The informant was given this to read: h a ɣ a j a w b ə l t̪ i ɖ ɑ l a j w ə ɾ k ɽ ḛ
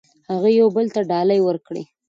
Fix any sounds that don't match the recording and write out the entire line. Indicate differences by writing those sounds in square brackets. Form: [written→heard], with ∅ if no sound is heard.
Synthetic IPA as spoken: h a ɣ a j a w b ə l t̪ [i→a] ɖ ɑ l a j w ə ɾ k ɽ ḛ